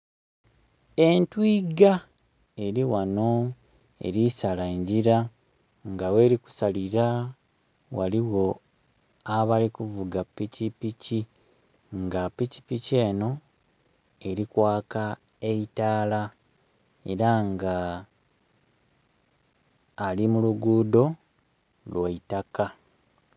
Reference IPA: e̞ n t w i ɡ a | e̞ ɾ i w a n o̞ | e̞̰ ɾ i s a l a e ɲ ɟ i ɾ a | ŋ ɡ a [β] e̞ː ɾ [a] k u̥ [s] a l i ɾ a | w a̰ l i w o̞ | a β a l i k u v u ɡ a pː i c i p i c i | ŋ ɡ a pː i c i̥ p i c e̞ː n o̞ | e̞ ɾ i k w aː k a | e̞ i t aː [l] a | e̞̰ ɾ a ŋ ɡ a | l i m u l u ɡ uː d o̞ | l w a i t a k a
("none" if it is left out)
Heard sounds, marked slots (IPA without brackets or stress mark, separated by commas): w, i, s, l